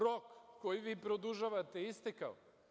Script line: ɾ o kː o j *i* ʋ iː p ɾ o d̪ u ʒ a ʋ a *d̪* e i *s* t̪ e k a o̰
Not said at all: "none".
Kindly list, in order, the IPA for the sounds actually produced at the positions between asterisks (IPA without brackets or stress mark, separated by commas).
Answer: i, t̪, s